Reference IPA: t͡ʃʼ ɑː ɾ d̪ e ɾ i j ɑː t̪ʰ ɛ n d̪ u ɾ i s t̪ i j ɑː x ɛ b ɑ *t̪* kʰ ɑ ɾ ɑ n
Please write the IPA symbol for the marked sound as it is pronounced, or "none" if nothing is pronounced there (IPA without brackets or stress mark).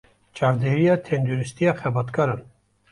t̪